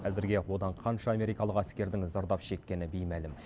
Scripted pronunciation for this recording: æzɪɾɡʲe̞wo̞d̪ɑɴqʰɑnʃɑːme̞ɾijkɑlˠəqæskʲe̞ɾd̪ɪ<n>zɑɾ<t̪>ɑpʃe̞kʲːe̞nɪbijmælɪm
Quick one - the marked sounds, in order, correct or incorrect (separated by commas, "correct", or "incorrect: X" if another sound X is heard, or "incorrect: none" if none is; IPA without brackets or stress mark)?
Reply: incorrect: ŋ, incorrect: d̪